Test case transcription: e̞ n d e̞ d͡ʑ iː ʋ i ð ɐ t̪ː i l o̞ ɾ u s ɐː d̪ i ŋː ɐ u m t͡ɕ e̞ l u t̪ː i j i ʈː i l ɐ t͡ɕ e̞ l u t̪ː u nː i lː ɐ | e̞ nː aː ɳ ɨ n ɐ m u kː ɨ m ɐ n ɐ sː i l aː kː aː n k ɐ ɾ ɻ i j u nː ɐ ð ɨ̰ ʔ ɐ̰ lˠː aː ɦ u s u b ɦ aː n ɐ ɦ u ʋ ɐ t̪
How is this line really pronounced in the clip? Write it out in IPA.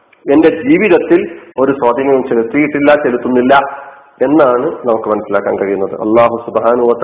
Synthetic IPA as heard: e̞ n d e̞ d͡ʑ iː ʋ i ð ɐ t̪ː i l o̞ ɾ u s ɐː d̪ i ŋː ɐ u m t͡ɕ e̞ l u t̪ː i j i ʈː i lː ɐ t͡ɕ e̞ l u t̪ː u nː i lː ɐ | e̞ nː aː ɳ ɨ n ɐ m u kː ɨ m ɐ n ɐ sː i l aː kː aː n k ɐ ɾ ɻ i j u nː ɐ ð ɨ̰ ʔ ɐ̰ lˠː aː ɦ u s u b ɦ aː n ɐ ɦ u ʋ ɐ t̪